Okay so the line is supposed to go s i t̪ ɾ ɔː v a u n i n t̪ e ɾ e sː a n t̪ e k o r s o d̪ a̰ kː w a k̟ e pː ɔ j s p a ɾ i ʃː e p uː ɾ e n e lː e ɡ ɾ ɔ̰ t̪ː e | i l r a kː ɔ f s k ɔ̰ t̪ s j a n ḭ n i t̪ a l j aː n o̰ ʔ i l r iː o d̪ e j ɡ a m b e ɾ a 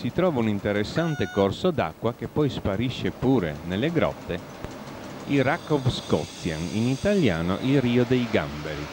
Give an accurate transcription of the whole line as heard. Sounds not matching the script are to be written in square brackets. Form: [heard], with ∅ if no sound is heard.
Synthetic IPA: s i t̪ ɾ ɔː v a u n i n t̪ e ɾ e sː a n t̪ e k o r s o d̪ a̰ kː w a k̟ e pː ɔ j s p a ɾ i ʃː e p uː ɾ e n e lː e ɡ ɾ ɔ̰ t̪ː e | i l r a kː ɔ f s k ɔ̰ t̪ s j a n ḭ n i t̪ a l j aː n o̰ ʔ i l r iː o d̪ e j ɡ a m b e ɾ [i]